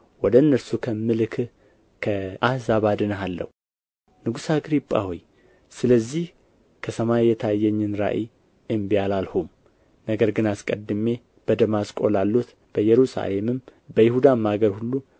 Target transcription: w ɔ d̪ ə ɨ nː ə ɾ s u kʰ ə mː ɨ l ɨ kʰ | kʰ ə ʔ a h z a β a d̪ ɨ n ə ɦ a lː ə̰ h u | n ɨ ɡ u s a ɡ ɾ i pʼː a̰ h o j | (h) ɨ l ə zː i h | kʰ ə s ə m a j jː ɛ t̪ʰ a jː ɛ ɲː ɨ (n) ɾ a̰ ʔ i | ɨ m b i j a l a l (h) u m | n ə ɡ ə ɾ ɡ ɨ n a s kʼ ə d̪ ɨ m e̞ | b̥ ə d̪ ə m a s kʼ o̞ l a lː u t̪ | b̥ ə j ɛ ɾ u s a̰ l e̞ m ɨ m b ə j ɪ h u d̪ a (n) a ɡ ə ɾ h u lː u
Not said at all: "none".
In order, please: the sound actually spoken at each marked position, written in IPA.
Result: s, n, h, m

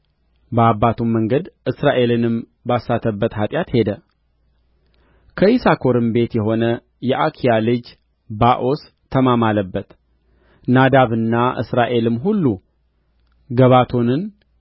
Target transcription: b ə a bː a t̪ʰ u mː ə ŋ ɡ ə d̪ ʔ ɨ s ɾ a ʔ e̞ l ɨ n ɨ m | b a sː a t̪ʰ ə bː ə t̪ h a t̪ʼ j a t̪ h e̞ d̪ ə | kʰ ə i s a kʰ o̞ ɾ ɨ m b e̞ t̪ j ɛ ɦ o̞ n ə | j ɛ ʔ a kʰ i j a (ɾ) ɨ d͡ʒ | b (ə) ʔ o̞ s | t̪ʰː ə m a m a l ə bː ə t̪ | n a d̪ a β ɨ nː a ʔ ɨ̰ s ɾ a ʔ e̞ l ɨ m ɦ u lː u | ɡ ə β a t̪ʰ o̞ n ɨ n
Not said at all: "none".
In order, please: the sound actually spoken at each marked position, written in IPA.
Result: l, a

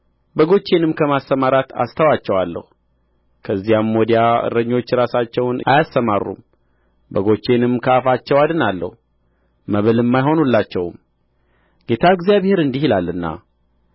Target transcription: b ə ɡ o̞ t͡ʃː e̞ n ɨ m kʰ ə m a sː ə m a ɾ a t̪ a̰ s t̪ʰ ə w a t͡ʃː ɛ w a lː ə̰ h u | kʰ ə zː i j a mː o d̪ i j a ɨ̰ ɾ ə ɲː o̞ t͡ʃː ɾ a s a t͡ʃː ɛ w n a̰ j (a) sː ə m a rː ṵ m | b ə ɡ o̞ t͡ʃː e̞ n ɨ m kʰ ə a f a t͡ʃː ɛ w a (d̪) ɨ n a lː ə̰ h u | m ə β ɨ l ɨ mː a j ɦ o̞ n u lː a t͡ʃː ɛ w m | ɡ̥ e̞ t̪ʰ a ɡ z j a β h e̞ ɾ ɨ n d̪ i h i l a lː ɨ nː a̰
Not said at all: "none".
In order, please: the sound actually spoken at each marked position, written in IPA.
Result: a, d̪

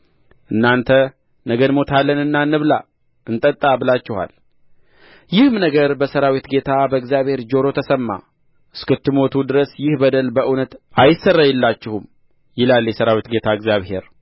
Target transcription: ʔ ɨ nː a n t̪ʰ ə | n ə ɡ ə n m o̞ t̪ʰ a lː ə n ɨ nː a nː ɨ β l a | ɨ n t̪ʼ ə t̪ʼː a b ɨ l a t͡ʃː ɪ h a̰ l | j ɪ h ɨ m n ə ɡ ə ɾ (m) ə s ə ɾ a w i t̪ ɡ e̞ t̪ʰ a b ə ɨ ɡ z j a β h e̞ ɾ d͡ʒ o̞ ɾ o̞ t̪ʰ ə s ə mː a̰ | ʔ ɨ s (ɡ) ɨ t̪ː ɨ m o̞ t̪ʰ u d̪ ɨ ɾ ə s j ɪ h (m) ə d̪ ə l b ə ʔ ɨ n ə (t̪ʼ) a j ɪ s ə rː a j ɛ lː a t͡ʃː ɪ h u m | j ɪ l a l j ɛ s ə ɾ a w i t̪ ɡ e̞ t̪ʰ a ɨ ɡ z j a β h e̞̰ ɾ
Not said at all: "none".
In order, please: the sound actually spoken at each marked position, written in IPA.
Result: b, k, b, t̪

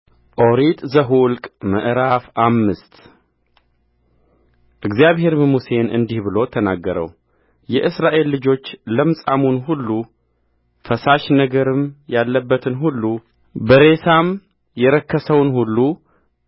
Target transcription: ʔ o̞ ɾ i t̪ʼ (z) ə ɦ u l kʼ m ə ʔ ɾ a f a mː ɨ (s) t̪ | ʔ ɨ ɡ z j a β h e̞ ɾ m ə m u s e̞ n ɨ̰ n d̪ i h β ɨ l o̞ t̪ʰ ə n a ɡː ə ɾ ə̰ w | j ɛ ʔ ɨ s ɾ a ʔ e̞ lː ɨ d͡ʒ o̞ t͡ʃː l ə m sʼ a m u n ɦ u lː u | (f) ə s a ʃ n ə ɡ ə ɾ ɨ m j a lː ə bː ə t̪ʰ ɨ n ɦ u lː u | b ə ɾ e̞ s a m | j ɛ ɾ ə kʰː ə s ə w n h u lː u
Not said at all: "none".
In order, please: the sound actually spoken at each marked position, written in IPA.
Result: z, s, f

